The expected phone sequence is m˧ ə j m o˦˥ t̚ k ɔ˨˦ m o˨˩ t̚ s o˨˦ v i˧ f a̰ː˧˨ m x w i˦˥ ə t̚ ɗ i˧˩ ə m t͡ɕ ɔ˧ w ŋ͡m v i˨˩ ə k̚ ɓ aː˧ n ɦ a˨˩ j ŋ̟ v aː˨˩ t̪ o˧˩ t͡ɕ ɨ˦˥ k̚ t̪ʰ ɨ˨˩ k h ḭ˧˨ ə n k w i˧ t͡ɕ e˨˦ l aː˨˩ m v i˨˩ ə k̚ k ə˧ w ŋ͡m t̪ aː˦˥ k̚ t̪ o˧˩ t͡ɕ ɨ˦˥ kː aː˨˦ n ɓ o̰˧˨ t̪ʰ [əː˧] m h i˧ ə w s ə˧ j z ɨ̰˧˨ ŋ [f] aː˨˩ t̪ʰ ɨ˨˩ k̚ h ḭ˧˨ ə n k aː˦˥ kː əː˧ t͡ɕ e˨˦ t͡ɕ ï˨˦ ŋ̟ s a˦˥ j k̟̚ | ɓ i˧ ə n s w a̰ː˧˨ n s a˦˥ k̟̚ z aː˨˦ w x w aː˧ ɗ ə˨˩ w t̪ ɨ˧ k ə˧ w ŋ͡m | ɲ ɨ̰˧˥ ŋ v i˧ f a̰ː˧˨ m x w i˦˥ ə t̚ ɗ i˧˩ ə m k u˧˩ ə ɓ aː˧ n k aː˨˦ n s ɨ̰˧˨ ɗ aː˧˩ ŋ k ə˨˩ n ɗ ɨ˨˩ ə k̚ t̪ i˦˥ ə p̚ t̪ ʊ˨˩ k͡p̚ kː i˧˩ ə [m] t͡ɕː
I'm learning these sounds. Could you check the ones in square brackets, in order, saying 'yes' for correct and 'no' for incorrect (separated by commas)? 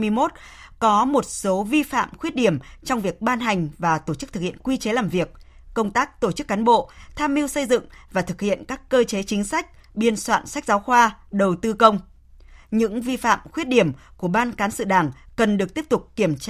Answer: no, no, yes